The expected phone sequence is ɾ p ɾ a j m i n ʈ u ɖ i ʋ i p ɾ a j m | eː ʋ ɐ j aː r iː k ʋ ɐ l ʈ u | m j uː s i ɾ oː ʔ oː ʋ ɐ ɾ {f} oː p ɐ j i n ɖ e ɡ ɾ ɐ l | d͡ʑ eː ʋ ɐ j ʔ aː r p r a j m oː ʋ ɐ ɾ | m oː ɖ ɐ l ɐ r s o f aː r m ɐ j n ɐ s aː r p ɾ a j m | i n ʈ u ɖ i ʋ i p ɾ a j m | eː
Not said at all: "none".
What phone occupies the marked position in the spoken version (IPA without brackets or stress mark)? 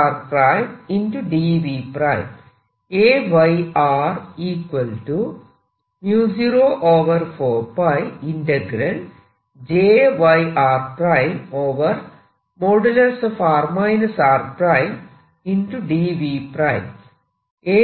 f